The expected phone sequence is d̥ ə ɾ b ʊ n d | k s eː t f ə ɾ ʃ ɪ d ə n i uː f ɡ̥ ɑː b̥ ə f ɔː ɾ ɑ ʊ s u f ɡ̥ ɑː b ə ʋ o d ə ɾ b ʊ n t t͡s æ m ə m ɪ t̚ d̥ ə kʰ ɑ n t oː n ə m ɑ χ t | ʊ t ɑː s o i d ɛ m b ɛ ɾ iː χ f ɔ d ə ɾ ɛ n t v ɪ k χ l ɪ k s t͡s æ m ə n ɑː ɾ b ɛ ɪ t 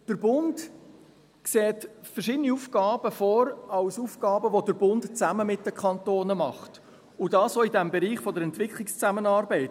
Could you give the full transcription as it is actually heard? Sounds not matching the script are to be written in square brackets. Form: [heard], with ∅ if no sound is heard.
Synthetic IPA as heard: d̥ ə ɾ b ʊ n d | k s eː t f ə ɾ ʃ ɪ d ə n i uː f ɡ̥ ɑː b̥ ə f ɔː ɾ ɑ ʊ s u f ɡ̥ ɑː b ə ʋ o d ə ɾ b ʊ n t t͡s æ m ə m ɪ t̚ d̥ ə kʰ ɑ n t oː n ə m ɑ χ t | ʊ [d] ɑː s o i d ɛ m b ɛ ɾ iː χ f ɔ d ə ɾ ɛ n t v ɪ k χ l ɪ k s t͡s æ m ə n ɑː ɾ b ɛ ɪ t